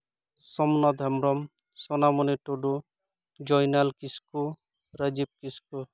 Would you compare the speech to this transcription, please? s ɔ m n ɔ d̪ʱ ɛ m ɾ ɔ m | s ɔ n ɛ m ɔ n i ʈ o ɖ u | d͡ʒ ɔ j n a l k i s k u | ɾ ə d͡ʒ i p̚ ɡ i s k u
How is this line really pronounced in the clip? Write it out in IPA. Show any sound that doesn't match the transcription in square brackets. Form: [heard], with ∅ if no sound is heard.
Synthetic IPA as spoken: s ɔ m n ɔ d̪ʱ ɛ m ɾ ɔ m | s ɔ n [a] m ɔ n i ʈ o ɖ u | d͡ʒ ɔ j n a l k i s k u | ɾ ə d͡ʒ i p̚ [k] i s k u

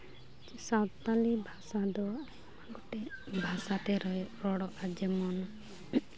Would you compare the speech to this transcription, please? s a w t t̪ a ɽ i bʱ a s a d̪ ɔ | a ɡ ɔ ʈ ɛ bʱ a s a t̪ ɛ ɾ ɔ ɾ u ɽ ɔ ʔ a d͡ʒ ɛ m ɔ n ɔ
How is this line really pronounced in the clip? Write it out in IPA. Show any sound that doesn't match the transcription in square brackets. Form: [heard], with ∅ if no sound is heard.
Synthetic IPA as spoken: s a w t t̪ a [l] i bʱ a s a d̪ ɔ | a ɡ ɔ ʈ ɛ bʱ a s a t̪ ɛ ɾ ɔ ɾ [ɔ] ɽ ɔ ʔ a d͡ʒ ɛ m ɔ n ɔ

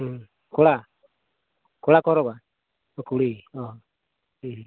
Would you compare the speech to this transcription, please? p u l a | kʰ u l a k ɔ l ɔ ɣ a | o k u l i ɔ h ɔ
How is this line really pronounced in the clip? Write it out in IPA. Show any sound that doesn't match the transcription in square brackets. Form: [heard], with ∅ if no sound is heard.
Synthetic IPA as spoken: [k] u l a | [k] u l a k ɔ [ɾ] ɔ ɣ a | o k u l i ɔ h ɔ

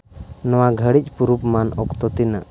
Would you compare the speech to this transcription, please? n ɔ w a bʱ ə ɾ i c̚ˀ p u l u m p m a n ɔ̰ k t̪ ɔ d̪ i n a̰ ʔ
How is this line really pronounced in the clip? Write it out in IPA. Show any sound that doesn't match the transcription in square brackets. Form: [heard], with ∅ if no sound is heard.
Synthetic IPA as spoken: n ɔ w a [ɡʱ] ə [ɽ] i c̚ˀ p u [ɾ] u [∅] p m a n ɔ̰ k t̪ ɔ [t̪] i n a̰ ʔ

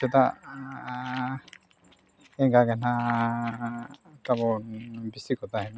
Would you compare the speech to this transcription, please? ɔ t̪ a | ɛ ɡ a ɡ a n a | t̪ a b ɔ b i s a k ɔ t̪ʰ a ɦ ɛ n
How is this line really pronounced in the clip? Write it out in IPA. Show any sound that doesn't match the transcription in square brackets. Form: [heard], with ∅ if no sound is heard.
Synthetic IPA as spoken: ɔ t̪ a | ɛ ɡ a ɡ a n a | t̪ a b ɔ b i s [i] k ɔ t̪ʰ a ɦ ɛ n

